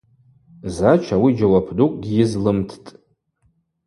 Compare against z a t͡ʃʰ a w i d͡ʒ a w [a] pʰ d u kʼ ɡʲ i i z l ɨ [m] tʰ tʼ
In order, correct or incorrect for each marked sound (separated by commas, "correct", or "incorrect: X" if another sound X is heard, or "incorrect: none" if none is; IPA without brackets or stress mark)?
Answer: correct, correct